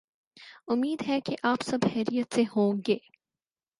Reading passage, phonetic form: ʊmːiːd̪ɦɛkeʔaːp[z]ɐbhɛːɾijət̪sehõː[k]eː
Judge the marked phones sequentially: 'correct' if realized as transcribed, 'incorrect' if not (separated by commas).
incorrect, incorrect